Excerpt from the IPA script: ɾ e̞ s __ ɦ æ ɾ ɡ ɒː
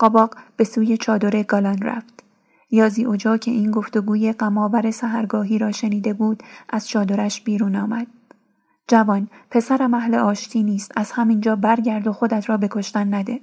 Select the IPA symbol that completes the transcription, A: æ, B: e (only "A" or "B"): A